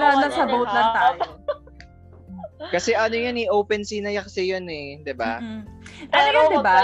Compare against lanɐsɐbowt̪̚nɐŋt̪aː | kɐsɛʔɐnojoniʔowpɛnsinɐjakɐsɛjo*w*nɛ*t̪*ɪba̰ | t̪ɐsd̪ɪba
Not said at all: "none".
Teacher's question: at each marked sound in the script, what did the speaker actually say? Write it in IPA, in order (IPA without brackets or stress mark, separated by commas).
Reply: none, d̪